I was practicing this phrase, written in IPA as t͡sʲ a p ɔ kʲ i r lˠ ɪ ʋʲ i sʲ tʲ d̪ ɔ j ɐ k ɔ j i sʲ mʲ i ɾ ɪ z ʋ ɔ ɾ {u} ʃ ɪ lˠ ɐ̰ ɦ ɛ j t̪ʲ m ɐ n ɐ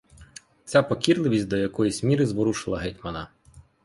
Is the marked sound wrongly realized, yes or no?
no